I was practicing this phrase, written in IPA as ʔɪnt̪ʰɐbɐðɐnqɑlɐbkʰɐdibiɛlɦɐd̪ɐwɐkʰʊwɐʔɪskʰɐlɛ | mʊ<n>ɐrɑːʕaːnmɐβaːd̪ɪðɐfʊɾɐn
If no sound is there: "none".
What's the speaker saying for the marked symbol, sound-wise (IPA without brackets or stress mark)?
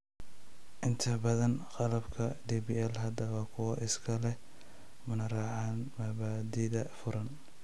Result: n